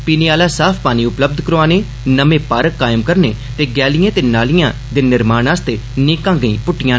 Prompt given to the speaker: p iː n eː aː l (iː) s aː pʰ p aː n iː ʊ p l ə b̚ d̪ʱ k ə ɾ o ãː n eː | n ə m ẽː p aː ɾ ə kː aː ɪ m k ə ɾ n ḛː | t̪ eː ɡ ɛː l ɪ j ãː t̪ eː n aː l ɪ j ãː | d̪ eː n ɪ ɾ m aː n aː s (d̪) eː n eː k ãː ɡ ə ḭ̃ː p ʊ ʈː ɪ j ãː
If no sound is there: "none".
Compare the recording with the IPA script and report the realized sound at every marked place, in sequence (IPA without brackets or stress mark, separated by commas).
aː, t̪